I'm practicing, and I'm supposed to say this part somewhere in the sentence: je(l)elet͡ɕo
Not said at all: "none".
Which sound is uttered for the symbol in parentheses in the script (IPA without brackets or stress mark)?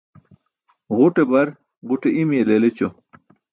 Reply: l